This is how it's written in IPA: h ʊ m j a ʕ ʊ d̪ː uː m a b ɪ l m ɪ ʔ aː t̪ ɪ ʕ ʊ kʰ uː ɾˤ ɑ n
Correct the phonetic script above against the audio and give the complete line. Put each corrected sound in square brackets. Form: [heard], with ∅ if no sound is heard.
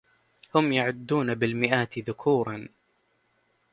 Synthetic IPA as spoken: h ʊ m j a ʕ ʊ d̪ː uː [n] a b ɪ l m ɪ ʔ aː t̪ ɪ [ð] ʊ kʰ uː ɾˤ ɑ n